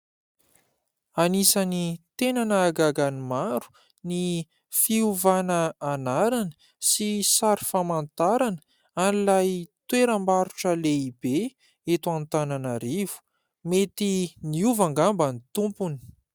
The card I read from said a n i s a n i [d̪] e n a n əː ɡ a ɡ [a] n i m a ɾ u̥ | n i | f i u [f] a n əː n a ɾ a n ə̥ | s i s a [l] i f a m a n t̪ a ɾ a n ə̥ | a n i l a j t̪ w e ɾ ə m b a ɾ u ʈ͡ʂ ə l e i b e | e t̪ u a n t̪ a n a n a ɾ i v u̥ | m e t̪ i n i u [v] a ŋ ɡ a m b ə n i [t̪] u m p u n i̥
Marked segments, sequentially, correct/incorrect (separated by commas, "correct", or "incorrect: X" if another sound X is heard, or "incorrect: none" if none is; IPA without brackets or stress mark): incorrect: t̪, correct, incorrect: v, incorrect: ɾ, correct, correct